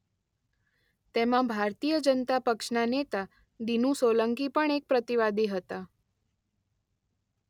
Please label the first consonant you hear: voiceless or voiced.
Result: voiceless